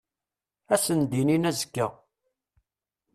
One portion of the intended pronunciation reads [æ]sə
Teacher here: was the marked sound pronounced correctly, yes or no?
yes